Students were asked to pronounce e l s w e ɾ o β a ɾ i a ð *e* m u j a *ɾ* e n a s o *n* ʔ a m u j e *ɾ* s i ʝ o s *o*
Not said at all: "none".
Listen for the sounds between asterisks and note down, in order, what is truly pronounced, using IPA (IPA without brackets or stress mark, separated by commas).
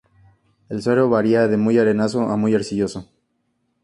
e, ɾ, none, ɾ, o